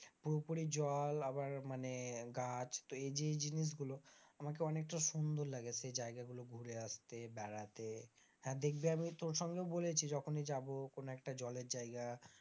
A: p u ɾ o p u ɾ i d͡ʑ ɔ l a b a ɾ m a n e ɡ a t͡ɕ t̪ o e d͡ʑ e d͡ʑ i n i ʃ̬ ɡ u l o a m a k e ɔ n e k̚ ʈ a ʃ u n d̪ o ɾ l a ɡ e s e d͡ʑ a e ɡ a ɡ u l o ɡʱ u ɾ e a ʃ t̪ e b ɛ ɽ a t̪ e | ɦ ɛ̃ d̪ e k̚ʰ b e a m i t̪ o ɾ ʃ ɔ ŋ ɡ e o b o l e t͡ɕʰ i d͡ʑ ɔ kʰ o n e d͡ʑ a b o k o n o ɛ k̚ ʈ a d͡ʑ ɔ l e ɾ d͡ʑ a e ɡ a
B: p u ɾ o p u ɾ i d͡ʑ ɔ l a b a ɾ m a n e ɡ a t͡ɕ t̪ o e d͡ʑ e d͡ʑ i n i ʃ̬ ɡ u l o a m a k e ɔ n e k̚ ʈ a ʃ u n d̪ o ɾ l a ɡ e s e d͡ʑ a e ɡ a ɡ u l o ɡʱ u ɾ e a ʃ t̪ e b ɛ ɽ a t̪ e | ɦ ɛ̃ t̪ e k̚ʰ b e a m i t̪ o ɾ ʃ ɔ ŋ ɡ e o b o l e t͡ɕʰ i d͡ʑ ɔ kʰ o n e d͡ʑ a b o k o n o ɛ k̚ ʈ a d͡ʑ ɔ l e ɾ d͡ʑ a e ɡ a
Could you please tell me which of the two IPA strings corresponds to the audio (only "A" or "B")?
A